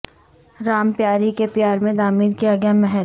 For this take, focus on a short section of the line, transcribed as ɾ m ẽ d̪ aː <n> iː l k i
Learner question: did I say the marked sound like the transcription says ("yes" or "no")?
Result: no